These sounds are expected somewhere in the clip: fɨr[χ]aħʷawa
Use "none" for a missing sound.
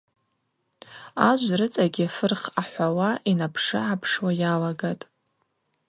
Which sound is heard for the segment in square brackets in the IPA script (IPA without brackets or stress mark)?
χ